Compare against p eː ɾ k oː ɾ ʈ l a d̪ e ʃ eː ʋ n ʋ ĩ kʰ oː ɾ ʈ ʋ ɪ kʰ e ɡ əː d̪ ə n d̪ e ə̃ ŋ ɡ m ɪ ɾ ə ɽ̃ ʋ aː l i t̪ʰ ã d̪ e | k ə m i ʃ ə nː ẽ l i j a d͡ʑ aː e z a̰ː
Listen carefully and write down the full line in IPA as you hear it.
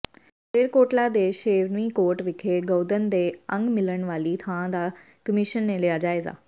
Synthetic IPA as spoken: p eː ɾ k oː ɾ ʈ l a d̪ e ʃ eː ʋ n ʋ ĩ k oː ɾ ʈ ʋ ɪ kʰ e ɡ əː d̪ ə n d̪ e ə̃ ŋ ɡ m ɪ l ə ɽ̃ ʋ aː l i t̪ʰ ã d̪ a | k ə m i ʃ ə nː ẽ l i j a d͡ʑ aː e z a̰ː